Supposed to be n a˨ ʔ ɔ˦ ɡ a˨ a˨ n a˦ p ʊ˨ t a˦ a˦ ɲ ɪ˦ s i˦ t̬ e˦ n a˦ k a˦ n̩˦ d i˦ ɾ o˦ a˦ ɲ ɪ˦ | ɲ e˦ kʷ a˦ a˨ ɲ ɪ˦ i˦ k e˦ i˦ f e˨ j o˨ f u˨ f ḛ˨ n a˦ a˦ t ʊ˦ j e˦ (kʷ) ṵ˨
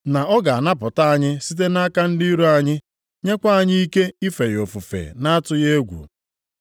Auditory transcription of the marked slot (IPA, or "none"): ɡʷ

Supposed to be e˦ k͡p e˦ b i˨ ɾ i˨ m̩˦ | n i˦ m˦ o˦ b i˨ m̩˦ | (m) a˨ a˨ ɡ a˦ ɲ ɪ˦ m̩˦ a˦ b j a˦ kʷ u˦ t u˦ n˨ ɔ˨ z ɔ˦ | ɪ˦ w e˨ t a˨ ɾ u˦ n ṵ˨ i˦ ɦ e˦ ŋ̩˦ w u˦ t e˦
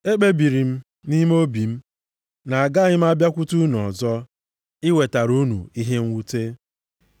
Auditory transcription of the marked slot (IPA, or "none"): n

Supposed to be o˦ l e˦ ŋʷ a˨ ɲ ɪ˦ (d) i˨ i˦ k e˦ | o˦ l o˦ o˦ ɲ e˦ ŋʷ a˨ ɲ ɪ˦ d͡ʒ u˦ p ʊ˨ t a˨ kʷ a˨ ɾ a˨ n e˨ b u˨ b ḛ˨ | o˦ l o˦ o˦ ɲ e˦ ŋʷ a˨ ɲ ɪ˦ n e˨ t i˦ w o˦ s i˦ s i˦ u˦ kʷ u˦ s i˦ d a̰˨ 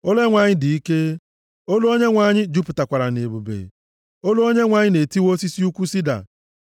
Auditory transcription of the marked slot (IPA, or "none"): d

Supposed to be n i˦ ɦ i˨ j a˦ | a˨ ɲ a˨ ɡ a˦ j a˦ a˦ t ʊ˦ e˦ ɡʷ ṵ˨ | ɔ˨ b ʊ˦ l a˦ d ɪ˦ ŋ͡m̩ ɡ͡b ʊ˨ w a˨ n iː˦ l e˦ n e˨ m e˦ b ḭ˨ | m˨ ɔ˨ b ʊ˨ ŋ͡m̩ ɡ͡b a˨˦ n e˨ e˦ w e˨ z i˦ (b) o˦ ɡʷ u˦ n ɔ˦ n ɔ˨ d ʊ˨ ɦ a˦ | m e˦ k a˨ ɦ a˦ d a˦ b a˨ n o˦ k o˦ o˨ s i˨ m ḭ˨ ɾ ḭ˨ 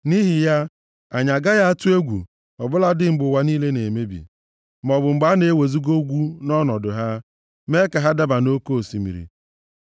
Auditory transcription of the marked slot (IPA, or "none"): ɡ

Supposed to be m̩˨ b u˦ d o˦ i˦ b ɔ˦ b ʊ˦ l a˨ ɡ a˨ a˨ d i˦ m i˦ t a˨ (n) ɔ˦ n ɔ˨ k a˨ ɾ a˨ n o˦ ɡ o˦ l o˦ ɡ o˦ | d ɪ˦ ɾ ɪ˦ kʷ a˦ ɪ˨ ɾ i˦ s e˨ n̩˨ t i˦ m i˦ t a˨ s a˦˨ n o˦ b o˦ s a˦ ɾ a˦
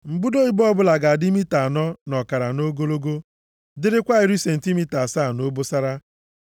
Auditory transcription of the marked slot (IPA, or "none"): n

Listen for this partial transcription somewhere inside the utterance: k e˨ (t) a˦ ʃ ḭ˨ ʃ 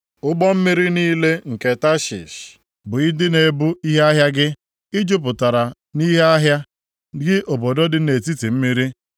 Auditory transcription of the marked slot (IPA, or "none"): t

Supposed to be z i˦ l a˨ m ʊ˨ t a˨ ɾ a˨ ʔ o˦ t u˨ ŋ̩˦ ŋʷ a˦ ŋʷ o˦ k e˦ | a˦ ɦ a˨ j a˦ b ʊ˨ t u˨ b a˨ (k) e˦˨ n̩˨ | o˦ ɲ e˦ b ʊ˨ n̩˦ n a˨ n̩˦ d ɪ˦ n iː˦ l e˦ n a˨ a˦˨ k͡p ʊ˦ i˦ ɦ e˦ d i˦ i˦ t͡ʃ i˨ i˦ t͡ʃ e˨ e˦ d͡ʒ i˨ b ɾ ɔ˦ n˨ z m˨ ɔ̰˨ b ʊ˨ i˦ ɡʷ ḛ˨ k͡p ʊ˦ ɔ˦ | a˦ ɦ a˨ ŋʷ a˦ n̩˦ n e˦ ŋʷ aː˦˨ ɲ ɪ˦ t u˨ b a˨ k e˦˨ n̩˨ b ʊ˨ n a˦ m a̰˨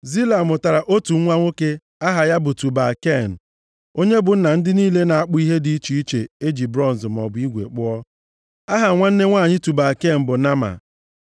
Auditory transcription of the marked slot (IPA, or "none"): k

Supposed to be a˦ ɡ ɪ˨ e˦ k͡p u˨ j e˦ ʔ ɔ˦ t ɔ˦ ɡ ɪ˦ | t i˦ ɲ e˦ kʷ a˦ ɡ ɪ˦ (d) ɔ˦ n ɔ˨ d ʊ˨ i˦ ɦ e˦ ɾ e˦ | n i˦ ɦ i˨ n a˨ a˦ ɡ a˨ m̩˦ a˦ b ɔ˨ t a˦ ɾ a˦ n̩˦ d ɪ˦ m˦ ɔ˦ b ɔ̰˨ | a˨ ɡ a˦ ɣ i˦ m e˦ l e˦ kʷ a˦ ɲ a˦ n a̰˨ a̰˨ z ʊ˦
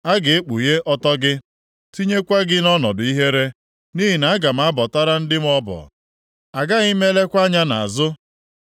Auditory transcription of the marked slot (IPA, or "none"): n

